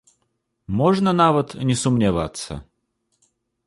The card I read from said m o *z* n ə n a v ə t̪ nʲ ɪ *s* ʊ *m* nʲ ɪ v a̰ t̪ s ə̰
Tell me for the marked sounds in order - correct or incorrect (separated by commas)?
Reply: incorrect, correct, correct